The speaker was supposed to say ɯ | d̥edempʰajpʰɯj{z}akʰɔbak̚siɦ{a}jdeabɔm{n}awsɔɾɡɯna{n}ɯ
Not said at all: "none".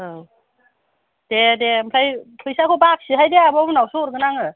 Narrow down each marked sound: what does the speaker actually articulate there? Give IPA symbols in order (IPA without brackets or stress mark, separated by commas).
s, a, n, ŋ